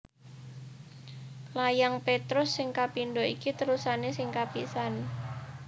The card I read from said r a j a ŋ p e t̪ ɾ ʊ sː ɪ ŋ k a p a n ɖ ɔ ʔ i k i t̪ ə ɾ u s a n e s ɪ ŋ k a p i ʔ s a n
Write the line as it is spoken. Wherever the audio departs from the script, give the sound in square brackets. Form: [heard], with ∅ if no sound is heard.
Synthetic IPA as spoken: [l] a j a ŋ p e t̪ ɾ ʊ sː ɪ ŋ k a p [i] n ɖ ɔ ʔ i k i t̪ ə ɾ u s a n e s ɪ ŋ k a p i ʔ s a n